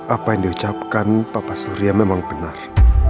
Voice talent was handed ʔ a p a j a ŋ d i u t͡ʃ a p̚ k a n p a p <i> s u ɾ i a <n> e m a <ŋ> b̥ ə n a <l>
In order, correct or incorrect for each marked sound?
incorrect: a, incorrect: m, correct, incorrect: r

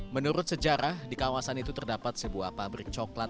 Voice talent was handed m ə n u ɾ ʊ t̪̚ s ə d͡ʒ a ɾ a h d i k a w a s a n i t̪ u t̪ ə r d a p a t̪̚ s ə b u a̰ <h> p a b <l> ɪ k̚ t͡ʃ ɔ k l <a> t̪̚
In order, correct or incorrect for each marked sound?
correct, incorrect: ɾ, correct

